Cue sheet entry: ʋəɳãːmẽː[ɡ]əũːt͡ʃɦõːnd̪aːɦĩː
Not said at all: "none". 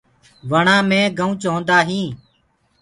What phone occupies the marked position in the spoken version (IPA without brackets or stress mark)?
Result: ɡ